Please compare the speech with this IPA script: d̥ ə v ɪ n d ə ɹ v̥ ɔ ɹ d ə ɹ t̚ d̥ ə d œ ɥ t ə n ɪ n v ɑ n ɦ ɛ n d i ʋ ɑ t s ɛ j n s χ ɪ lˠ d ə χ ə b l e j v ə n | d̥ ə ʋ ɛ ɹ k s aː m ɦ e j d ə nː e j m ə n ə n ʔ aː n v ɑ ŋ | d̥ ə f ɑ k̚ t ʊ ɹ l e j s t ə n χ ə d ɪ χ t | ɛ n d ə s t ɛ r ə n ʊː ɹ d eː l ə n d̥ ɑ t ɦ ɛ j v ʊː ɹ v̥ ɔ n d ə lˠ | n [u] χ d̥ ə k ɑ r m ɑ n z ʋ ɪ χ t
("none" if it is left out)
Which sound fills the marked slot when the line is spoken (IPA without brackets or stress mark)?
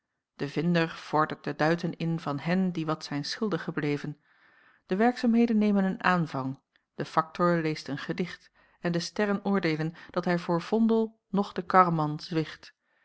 ɔ